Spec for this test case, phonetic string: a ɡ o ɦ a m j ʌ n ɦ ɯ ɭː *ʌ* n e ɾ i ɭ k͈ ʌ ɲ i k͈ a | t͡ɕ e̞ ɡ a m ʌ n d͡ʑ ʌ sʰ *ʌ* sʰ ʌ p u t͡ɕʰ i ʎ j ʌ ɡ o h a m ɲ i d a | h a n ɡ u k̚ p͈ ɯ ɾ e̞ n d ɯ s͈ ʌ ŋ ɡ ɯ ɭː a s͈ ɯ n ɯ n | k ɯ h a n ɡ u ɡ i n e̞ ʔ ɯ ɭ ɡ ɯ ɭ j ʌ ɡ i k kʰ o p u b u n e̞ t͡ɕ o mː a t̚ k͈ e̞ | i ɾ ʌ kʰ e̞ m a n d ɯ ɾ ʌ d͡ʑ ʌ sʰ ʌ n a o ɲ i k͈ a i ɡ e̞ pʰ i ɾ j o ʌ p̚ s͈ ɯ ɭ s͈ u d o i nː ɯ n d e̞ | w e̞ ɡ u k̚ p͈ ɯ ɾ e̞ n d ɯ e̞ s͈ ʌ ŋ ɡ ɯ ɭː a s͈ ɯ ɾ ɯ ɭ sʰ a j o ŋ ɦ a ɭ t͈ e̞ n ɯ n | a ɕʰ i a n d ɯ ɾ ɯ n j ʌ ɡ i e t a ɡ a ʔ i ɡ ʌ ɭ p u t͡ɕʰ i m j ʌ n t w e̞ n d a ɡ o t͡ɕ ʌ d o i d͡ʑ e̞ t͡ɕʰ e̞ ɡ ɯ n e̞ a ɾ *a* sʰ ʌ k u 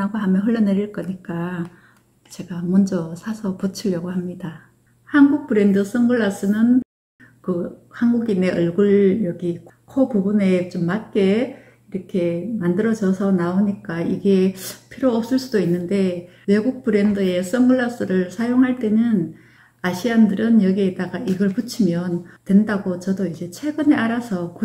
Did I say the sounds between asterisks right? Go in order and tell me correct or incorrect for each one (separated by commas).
correct, incorrect, correct